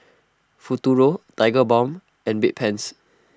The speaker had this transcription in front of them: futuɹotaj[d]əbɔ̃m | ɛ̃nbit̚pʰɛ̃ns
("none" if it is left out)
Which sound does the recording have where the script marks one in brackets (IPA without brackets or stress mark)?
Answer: ɡ